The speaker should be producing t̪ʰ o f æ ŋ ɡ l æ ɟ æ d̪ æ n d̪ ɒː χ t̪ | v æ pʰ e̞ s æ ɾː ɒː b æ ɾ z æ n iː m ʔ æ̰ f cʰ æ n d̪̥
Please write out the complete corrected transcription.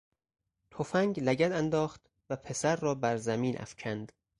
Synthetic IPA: t̪ʰ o f æ ŋ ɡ l æ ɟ æ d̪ æ n d̪ ɒː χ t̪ | v æ pʰ e̞ s æ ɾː ɒː b æ ɾ z æ m iː n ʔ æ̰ f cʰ æ n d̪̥